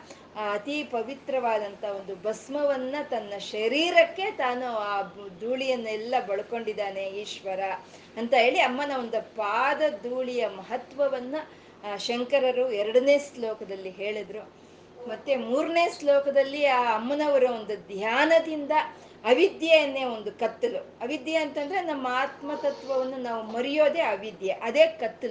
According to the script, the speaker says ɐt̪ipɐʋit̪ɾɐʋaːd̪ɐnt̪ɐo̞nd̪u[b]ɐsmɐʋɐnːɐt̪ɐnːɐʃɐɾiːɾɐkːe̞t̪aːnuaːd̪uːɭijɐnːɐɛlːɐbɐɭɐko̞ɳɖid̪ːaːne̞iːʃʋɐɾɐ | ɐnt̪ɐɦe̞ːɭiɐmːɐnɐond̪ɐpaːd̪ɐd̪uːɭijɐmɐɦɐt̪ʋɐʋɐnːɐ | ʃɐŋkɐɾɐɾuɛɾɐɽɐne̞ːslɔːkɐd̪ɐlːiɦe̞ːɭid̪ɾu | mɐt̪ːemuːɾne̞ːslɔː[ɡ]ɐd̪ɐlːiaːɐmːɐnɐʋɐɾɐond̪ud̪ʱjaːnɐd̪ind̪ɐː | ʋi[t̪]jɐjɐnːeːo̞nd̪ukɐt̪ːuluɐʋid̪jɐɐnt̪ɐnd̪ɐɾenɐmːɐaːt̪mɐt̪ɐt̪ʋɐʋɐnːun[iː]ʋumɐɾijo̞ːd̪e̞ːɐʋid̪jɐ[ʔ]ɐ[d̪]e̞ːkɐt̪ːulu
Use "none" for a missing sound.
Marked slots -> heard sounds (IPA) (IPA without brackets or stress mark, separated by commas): b, k, d̪, aː, ʔ, d̪